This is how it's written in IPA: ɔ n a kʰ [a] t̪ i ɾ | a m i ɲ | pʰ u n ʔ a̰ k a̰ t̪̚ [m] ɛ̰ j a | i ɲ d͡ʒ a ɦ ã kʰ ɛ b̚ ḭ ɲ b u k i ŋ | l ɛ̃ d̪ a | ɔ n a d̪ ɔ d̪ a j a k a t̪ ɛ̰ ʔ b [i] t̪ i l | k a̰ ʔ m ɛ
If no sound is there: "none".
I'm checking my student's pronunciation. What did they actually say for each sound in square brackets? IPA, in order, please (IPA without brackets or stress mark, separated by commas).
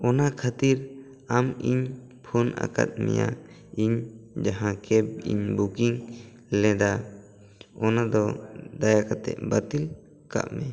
a, m, a